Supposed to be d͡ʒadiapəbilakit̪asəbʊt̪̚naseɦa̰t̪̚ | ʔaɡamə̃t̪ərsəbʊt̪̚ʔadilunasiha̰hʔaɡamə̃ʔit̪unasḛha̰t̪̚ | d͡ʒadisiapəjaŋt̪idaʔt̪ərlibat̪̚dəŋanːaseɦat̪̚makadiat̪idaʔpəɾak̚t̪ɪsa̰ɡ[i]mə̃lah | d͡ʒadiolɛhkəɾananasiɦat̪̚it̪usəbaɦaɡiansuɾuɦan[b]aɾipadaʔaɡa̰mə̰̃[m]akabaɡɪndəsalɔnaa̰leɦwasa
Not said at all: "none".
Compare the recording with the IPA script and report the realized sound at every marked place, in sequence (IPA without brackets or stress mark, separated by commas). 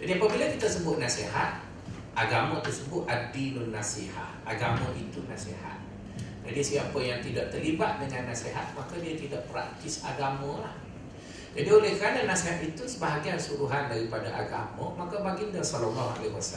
a, d, m